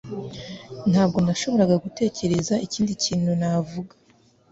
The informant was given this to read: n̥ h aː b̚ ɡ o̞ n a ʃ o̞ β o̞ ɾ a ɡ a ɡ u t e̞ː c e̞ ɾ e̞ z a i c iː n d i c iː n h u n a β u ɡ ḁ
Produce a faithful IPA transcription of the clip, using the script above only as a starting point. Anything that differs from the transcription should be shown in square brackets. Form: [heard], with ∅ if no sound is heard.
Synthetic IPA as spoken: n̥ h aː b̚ ɡ o̞ n a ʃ o̞ β o̞ ɾ a ɡ a ɡ u t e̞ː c e̞ ɾ e̞ z a i c iː n d i c iː n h u n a [v] u ɡ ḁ